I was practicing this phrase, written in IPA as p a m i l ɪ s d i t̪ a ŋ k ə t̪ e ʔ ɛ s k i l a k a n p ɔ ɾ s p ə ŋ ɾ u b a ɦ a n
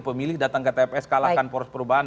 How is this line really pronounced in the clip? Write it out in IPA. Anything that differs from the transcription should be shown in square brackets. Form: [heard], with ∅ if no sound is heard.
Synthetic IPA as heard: p [ə] m i l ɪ [h] d [a] t̪ a ŋ k ə t̪ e [p] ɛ s k [a] l a k a n p ɔ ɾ s p ə [∅] ɾ u b a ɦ a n